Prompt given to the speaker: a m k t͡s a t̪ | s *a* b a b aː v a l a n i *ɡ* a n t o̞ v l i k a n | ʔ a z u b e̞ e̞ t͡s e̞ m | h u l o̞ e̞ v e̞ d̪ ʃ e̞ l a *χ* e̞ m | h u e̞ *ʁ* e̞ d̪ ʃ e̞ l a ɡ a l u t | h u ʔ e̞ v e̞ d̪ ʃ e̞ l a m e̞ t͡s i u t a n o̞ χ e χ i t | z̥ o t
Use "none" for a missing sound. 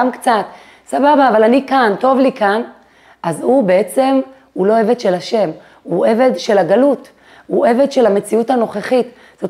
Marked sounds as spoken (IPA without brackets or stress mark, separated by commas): a, k, ʃ, v